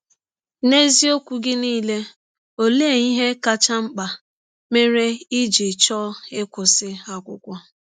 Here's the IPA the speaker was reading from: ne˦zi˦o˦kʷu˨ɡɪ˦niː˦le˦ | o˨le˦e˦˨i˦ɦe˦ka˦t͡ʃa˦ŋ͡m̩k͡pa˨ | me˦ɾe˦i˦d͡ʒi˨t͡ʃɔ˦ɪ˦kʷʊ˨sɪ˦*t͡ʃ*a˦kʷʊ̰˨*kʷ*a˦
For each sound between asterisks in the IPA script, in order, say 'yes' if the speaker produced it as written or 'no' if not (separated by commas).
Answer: no, yes